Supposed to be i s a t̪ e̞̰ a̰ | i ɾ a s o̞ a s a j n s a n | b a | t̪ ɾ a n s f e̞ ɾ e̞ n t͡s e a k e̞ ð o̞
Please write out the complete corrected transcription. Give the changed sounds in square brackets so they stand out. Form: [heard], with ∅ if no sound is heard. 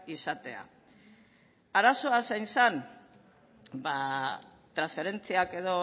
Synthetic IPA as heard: i s a t̪ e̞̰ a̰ | [a] ɾ a s o̞ a s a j n s a n | b a | t̪ ɾ a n s f e̞ ɾ e̞ n t͡s [i] a k e̞ ð o̞